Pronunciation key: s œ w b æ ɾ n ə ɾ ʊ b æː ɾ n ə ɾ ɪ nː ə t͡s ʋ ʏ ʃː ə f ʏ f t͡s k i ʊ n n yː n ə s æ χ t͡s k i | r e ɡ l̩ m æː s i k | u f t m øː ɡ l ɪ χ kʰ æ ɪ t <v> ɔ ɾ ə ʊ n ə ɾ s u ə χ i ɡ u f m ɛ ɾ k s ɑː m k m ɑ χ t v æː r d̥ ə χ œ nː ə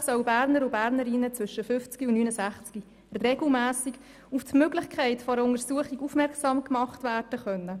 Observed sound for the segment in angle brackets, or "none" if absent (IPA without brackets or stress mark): f